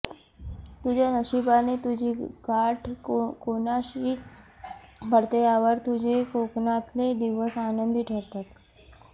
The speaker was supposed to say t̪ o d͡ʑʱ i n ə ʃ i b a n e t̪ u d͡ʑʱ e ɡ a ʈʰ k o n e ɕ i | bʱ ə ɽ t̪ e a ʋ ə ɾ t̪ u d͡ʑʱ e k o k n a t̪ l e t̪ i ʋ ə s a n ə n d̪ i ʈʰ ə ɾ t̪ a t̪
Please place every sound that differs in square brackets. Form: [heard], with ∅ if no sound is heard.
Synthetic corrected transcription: t̪ [u] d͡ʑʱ [a] n ə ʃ i b a n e t̪ u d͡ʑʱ [i] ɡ a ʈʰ k o n [a] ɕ i | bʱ ə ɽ t̪ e a ʋ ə ɾ t̪ u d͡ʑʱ e k o k n a t̪ l e [d̪] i ʋ ə s a n ə n d̪ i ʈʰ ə ɾ t̪ a t̪